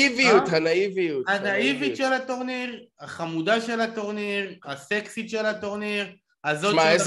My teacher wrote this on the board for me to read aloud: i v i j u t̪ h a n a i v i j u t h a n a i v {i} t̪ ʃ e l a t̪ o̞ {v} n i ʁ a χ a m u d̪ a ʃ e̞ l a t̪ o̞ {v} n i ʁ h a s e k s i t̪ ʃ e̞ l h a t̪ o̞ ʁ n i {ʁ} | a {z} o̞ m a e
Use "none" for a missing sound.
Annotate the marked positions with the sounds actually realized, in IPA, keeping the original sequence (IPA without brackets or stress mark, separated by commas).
i, ʁ, ʁ, ʁ, z